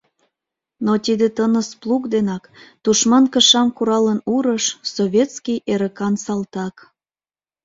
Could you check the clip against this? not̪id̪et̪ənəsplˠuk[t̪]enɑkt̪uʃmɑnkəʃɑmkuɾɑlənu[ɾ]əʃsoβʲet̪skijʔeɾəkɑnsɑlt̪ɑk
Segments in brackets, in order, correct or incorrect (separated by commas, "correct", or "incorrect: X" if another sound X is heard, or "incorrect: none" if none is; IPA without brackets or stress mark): incorrect: d̪, correct